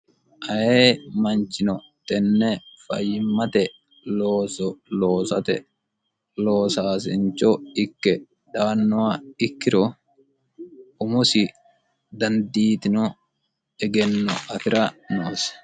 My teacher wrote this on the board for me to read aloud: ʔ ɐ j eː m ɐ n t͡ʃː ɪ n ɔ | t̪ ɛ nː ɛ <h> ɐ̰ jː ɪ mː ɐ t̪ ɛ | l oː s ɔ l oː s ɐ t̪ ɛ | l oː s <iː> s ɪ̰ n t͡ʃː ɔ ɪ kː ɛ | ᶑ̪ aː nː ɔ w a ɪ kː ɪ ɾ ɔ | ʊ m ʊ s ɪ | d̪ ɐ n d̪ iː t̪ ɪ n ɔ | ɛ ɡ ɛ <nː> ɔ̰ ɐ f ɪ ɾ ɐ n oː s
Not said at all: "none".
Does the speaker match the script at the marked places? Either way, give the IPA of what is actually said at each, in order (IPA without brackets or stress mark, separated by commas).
f, aː, nː